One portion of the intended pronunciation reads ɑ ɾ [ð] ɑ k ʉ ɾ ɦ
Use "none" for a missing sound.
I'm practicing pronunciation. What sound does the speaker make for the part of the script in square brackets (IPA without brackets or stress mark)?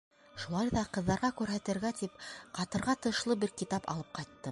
ʁ